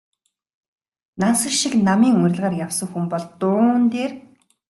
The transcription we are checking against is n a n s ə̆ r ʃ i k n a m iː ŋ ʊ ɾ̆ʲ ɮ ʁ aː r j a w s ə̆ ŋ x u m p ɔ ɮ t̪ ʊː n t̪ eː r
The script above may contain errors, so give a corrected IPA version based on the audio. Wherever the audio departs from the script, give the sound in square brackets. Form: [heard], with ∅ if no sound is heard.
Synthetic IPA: n a n s ə̆ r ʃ i k n a m iː ŋ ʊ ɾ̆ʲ ɮ ʁ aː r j a w s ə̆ ŋ x u m p ɔ ɮ t̪ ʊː n t̪ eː r